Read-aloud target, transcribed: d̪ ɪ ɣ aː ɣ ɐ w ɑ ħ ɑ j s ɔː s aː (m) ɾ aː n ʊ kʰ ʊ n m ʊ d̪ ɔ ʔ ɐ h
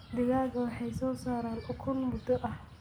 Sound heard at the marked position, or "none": none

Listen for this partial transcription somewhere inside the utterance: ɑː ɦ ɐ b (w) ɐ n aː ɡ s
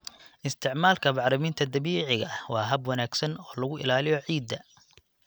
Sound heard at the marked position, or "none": w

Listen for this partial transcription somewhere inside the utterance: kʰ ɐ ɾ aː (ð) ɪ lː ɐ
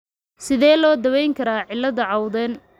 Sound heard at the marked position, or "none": ʕ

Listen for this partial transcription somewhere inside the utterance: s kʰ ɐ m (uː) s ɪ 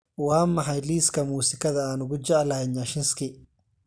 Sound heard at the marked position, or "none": uː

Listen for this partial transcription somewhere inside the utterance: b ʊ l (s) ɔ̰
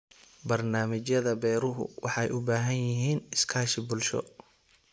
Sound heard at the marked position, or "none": ʃ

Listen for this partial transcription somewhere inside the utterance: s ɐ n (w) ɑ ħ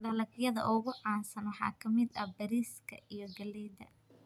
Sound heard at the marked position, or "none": w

